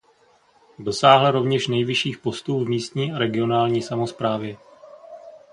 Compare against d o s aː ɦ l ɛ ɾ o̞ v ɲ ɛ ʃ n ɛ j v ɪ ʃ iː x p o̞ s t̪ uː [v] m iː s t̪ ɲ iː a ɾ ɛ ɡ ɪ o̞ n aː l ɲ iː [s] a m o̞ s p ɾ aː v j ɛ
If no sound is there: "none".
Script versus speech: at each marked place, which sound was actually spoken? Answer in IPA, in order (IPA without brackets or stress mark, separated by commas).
v, s